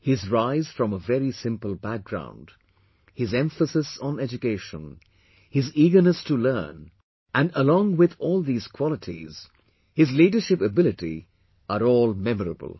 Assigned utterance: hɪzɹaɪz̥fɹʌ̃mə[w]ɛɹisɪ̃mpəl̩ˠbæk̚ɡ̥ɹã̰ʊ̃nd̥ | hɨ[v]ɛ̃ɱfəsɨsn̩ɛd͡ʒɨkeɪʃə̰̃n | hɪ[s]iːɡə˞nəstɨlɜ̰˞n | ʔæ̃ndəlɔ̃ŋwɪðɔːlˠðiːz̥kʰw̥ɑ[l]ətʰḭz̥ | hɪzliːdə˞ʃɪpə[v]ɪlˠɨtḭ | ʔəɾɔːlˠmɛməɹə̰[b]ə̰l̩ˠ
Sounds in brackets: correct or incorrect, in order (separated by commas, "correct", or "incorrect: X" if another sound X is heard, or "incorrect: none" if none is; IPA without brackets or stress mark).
incorrect: v, incorrect: z, incorrect: z, correct, incorrect: b, correct